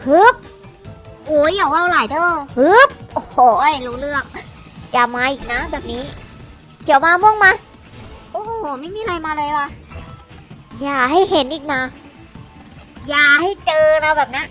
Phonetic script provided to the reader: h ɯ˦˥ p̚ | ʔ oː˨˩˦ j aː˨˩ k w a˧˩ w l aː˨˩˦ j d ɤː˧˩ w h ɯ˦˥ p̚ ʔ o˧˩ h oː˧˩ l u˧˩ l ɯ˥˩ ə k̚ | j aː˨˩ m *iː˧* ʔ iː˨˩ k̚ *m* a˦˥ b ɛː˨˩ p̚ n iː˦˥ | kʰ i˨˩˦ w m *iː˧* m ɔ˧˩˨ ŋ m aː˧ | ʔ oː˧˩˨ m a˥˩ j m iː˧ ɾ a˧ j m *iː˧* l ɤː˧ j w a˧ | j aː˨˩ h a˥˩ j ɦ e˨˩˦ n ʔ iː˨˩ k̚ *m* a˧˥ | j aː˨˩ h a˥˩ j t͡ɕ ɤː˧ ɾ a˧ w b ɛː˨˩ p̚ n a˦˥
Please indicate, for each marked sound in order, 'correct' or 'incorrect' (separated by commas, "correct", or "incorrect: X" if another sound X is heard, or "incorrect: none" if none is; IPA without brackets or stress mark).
incorrect: aː˧, incorrect: n, incorrect: aː˧, incorrect: aː˧, incorrect: n